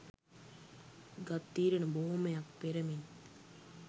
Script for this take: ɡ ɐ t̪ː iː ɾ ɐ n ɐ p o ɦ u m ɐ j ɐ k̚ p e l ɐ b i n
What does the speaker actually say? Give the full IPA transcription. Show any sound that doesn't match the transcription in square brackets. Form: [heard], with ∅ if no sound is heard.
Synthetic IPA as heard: ɡ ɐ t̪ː iː ɾ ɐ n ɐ [b] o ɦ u m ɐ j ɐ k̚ p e [ɾ] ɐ [m] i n

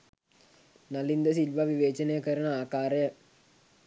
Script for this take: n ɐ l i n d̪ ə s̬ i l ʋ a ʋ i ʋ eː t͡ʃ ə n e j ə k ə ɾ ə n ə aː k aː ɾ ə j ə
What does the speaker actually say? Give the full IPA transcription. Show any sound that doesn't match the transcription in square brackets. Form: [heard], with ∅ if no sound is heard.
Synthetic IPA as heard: n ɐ l i n d̪ ə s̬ i l ʋ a ʋ i ʋ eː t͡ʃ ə n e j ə k ə ɾ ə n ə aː k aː ɾ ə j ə

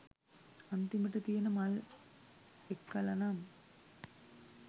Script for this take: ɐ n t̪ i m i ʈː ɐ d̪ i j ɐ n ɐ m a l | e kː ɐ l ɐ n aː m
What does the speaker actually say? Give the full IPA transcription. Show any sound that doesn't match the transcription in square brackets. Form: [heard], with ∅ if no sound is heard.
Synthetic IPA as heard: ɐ n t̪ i m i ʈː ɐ [t̪] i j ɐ n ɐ m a l | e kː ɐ l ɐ n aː m

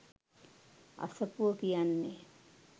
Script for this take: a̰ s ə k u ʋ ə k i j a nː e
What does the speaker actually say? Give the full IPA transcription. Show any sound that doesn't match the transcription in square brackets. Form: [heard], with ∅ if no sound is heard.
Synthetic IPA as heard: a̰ s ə [p] u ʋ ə k i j a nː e

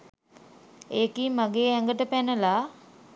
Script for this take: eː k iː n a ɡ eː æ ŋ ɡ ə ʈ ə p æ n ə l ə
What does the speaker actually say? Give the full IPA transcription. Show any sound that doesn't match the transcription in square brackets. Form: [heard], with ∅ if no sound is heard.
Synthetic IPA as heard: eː k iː [m] a ɡ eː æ ŋ ɡ ə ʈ ə p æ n ə l [a]

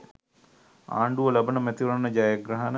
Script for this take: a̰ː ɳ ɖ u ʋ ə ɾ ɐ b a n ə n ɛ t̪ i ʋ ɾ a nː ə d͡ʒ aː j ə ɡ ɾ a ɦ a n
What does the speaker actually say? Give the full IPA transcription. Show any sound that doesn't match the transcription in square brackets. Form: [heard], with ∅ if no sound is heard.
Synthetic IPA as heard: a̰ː ɳ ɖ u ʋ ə [l] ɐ b [ə] n ə [m] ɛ t̪ i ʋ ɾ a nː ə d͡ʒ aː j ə ɡ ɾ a ɦ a n

